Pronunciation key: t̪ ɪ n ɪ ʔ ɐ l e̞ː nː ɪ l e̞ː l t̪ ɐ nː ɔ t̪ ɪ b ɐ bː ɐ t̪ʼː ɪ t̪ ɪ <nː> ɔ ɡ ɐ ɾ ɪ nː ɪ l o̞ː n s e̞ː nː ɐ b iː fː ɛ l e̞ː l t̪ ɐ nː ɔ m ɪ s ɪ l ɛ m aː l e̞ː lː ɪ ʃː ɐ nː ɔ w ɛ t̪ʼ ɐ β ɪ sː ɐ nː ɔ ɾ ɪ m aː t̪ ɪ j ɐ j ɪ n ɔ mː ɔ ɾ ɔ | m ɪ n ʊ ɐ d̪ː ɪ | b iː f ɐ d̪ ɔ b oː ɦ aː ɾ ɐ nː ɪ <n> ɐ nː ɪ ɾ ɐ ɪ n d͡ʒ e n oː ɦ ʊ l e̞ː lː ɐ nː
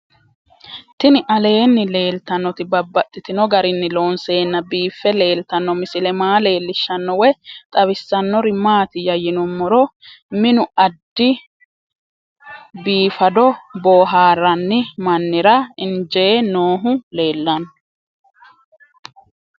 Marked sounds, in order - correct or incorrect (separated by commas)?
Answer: incorrect, incorrect